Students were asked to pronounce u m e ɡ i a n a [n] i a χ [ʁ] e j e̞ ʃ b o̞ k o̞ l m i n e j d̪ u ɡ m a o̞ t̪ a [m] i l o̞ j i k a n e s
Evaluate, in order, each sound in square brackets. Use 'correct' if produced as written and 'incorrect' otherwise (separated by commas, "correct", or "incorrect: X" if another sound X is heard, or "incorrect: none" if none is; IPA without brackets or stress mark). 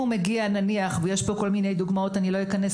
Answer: correct, incorrect: v, incorrect: n